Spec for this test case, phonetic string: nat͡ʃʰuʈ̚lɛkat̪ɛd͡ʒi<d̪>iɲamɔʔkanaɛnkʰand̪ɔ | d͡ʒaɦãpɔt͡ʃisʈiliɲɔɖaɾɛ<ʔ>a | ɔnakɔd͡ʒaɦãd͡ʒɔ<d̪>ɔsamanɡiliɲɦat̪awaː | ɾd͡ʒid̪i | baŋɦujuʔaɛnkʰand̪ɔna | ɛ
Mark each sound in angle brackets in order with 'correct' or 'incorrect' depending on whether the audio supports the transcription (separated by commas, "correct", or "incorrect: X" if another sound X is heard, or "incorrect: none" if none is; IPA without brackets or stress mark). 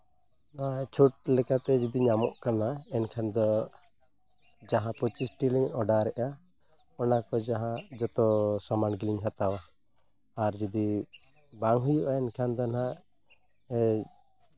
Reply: correct, correct, incorrect: t̪